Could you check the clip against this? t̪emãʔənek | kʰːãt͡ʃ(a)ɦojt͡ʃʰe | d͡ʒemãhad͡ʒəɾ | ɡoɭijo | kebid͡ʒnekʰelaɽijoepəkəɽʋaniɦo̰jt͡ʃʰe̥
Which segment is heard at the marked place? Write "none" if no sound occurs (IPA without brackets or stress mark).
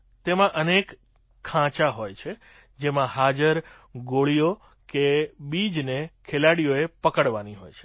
a